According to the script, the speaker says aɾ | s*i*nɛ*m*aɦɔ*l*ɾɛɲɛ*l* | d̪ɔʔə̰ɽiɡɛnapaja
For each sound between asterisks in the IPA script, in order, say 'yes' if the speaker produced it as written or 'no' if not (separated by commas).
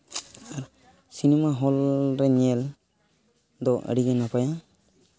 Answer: yes, yes, yes, yes